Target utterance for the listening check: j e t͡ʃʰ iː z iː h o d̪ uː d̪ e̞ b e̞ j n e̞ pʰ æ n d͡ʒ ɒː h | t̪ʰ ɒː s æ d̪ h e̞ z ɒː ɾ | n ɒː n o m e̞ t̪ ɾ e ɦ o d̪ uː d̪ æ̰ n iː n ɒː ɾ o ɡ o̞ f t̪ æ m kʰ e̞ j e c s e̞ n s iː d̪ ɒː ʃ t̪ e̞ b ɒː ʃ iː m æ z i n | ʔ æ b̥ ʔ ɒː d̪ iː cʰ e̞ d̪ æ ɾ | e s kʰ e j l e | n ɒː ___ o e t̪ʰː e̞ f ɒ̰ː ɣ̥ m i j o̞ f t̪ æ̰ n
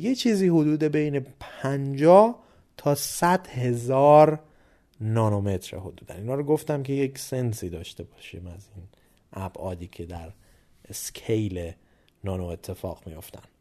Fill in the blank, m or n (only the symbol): n